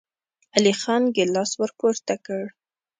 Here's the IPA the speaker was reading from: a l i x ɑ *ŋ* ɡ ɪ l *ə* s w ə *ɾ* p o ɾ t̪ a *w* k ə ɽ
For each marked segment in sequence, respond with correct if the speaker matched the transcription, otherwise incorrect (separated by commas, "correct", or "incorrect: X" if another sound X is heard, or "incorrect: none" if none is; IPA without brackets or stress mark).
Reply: incorrect: n, incorrect: ɑ, correct, incorrect: none